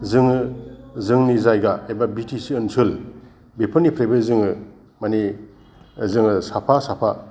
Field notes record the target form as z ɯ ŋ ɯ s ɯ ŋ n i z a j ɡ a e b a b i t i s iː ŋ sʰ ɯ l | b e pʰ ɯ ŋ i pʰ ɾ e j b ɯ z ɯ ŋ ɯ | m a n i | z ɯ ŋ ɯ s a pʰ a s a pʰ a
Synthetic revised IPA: z ɯ ŋ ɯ z ɯ ŋ n i z a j ɡ a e b a b i t i s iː n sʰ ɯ l | b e pʰ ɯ n i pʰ ɾ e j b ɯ z ɯ ŋ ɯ | m a n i | z ɯ ŋ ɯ s a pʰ a s a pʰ a

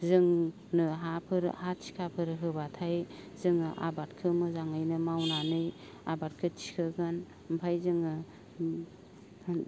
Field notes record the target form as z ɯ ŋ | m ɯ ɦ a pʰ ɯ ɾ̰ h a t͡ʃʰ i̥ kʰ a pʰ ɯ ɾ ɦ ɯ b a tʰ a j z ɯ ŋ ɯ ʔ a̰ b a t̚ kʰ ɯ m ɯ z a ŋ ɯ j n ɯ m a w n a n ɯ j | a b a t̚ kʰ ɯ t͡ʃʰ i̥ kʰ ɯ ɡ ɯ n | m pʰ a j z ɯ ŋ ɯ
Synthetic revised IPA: z ɯ ŋ | n ɯ ɦ a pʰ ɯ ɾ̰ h a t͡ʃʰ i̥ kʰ a pʰ ɯ ɾ ɦ ɯ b a tʰ a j z ɯ ŋ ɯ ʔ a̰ b a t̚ kʰ ɯ m ɯ z a ŋ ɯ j n ɯ m a w n a n ɯ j | a b a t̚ kʰ ɯ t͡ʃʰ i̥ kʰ ɯ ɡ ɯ n | m pʰ a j z ɯ ŋ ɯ

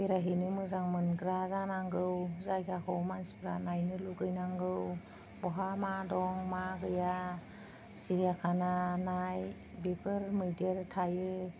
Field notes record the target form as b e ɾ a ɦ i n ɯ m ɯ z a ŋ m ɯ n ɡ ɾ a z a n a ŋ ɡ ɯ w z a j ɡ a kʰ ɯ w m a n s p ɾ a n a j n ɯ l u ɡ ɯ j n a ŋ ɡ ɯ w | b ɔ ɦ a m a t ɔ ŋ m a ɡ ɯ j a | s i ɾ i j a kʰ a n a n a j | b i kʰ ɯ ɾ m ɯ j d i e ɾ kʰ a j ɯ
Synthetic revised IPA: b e ɾ a ɦ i n ɯ m ɯ z a ŋ m ɯ n ɡ ɾ a z a n a ŋ ɡ ɯ w z a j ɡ a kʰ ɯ w m a n s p ɾ a n a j n ɯ l u ɡ ɯ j n a ŋ ɡ ɯ w | b ɔ ɦ a m a d ɔ ŋ m a ɡ ɯ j a | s i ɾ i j a kʰ a n a n a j | b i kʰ ɯ ɾ m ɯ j d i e ɾ tʰ a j ɯ

